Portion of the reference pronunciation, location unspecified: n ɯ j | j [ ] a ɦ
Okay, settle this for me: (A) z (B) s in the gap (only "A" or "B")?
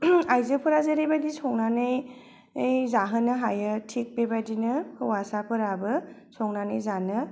A